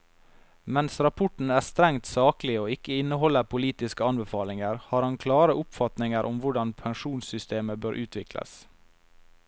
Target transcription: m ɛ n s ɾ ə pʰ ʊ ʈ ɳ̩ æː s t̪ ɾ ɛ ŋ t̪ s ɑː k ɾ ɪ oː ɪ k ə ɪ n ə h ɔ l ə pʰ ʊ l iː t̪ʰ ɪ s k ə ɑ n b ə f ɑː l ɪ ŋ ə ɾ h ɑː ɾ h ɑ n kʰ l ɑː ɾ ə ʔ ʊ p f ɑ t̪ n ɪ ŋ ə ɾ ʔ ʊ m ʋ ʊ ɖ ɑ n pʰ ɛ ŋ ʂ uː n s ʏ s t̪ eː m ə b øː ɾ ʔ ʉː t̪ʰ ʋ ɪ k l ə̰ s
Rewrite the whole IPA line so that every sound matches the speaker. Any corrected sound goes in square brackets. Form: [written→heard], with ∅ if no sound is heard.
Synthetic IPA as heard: m ɛ n s ɾ [ə→ɑ] pʰ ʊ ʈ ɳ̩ æː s t̪ ɾ ɛ ŋ t̪ s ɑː k [ɾ→l] ɪ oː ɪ k ə ɪ n ə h ɔ l ə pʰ ʊ l iː [t̪ʰ→t̪] ɪ s k ə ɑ n b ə f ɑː l ɪ ŋ ə ɾ h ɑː ɾ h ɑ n kʰ l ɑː ɾ ə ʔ ʊ p f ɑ t̪ n ɪ ŋ ə ɾ ʔ ʊ m ʋ ʊ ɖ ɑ n pʰ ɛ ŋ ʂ uː n s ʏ s t̪ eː m ə b øː ɾ ʔ ʉː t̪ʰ ʋ ɪ k l ə̰ s